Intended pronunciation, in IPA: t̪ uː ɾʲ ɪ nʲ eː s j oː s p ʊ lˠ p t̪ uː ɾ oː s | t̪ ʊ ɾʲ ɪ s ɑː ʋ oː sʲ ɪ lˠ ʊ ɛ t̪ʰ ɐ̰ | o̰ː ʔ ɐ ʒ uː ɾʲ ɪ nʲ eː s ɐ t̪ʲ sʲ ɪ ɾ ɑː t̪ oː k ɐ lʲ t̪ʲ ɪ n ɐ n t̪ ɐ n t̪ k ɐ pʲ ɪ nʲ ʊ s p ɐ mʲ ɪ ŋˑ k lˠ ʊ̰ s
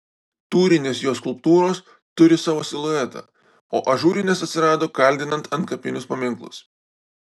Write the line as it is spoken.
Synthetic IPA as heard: t̪ uː ɾʲ ɪ nʲ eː s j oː s k ʊ lˠ p t̪ uː ɾ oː s | t̪ ʊ ɾʲ ɪ s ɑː ʋ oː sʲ ɪ lˠ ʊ ɛ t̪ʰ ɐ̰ | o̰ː ʔ ɐ ʒ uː ɾʲ ɪ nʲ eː s ɐ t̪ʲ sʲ ɪ ɾ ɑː d̪ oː k ɐ lʲ d̪ʲ ɪ n ɐ n t̪ ɐ n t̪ k ɐ pʲ ɪ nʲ ʊ s p ɐ mʲ ɪ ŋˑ k lˠ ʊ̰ s